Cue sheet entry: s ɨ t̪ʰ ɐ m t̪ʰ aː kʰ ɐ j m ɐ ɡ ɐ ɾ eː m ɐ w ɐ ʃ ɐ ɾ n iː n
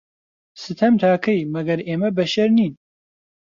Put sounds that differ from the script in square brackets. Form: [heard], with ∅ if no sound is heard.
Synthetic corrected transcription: s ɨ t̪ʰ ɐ m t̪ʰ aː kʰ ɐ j m ɐ ɡ ɐ ɾ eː m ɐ [b] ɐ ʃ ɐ ɾ n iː n